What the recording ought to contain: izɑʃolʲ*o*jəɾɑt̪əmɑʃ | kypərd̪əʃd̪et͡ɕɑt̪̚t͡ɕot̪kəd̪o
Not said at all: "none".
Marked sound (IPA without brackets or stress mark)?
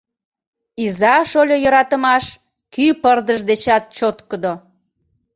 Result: o